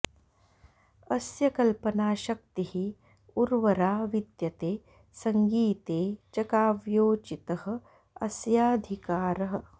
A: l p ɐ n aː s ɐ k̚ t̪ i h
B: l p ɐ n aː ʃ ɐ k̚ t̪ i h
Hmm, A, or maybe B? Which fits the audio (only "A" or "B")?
B